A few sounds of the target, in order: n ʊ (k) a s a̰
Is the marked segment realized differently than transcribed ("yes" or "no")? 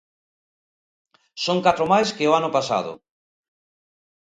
yes